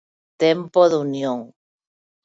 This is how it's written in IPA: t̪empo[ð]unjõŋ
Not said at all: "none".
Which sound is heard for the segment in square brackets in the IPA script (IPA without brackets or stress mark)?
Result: ð